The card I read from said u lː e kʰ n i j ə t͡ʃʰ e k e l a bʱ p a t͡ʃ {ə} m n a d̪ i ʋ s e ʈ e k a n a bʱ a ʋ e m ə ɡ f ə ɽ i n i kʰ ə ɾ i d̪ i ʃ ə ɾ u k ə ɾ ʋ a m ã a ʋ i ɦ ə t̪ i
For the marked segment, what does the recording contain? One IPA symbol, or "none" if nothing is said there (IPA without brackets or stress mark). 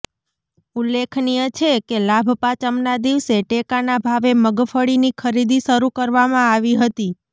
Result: ə